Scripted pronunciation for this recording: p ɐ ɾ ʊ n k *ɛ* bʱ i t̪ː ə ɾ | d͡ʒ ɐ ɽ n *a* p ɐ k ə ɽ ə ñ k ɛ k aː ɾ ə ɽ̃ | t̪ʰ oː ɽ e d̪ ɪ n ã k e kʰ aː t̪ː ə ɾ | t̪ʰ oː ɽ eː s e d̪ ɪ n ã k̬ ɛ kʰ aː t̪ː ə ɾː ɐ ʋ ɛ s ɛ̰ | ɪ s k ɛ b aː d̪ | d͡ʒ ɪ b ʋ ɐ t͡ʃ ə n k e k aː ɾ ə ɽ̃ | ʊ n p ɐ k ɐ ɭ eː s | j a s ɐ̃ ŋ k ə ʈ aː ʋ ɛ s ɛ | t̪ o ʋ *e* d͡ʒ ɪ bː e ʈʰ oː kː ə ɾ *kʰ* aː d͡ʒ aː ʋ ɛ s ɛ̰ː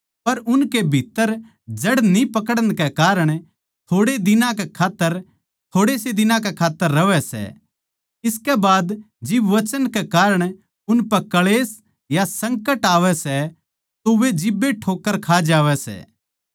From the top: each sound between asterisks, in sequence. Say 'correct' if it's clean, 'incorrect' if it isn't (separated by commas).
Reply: incorrect, incorrect, correct, correct